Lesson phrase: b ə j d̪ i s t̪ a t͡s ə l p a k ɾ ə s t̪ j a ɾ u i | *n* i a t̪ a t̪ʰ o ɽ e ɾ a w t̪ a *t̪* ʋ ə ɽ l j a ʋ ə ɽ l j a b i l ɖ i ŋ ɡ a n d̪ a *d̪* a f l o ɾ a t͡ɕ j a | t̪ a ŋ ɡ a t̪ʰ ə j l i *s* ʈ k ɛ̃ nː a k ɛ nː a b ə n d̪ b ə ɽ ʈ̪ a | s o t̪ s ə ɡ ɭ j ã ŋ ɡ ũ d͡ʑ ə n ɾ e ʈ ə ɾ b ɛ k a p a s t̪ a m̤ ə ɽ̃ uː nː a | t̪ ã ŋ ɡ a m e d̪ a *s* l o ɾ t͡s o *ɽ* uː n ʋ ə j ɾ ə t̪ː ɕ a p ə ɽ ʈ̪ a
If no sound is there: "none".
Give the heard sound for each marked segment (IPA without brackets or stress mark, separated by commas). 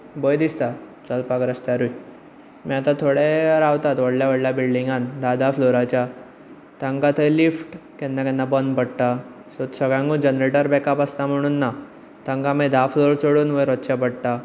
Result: m, t̪, d̪, f, f, ɽ